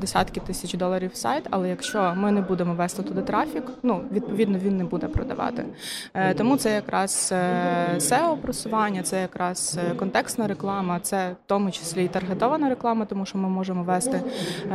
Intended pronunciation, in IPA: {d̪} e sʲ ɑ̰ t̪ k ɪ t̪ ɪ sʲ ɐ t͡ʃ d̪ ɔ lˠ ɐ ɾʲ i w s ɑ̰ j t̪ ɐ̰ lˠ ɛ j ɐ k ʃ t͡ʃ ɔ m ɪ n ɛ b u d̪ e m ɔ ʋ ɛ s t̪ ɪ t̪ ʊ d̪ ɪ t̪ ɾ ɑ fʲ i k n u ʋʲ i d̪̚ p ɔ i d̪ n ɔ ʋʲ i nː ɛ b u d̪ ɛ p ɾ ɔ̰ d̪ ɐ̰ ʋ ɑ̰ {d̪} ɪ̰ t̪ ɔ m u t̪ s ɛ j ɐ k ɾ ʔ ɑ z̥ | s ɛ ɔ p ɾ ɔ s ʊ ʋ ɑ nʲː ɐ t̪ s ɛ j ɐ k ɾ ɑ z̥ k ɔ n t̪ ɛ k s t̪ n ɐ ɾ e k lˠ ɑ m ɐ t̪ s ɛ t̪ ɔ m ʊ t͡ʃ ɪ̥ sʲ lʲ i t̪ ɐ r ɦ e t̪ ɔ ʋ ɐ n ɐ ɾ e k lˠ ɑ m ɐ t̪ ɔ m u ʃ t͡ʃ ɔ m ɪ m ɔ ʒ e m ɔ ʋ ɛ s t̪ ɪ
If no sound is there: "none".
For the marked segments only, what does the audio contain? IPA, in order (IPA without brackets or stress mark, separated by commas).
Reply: d̪, t̪